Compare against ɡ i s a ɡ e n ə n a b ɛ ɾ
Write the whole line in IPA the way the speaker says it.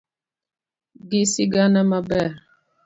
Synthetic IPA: ɡ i s i ɡ a n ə m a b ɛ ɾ